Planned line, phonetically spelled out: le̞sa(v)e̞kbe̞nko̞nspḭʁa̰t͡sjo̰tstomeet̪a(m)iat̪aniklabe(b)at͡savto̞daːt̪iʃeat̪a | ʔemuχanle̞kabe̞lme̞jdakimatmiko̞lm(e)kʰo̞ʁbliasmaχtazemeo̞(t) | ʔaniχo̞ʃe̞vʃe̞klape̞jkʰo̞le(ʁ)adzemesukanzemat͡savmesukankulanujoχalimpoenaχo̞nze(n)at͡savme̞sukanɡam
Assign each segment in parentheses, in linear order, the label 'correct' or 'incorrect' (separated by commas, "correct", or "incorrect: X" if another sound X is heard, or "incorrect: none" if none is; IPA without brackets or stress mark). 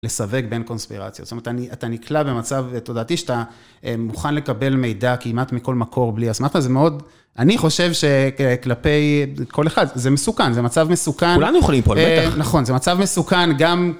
correct, incorrect: n, incorrect: m, incorrect: a, incorrect: d, incorrect: χ, incorrect: m